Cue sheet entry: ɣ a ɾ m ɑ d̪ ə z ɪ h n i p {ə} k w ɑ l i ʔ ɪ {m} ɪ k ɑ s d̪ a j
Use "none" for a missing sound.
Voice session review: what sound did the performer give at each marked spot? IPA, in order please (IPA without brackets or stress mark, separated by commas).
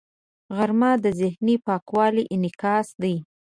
ɑ, n